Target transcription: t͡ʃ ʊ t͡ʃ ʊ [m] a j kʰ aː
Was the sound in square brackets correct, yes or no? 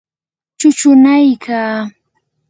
no